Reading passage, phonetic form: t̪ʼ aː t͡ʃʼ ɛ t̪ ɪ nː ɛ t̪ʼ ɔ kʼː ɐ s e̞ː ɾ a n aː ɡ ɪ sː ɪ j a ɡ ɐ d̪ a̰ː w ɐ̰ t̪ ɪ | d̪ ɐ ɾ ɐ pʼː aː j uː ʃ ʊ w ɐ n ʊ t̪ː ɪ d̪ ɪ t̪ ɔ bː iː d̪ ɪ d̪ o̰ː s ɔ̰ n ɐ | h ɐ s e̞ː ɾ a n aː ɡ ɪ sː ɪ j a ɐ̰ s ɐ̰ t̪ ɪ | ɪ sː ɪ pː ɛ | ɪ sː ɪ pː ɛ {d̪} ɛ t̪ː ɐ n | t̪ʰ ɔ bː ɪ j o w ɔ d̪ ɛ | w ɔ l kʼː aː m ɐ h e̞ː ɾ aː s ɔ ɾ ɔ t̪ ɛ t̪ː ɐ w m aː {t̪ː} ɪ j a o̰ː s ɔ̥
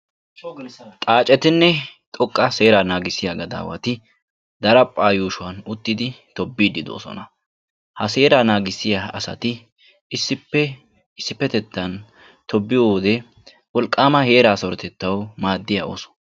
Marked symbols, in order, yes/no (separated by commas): no, no